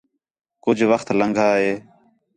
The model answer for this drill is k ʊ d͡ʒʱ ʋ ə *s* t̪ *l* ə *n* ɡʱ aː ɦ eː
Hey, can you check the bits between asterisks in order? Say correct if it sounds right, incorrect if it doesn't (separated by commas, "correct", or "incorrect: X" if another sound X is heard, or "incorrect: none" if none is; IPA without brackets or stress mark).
incorrect: x, correct, incorrect: ŋ